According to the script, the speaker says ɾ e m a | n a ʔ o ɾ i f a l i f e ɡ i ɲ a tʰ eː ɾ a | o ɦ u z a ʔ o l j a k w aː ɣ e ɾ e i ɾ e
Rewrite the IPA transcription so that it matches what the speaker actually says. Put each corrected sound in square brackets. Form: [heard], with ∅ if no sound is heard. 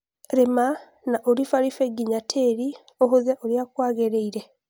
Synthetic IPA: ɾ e m a | n a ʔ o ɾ i f a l i f e ɡ i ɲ a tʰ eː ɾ [i] | o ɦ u z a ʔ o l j a k w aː ɣ e ɾ e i ɾ e